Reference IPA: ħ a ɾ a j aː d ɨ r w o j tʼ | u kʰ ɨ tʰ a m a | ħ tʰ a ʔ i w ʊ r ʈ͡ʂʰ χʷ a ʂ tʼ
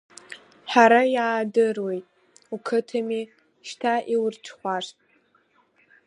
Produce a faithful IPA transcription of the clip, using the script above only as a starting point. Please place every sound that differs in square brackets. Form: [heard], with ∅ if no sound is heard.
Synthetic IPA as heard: ħ a ɾ a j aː d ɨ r w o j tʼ | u kʰ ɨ tʰ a m [i] | [ʃ] tʰ a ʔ i w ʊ r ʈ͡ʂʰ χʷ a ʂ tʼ